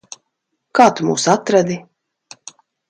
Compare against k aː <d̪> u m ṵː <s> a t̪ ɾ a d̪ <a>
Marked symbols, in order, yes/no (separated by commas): no, yes, no